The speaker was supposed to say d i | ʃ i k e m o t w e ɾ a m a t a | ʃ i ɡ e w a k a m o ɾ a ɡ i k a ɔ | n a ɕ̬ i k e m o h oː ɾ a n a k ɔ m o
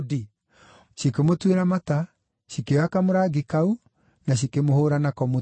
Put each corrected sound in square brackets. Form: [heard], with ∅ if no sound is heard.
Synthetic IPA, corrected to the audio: d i | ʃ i k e m o t w e ɾ a m a t a | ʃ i [k] e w a k a m o ɾ a ɡ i k a [u] | n a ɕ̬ i k e m o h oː ɾ a n a k ɔ m o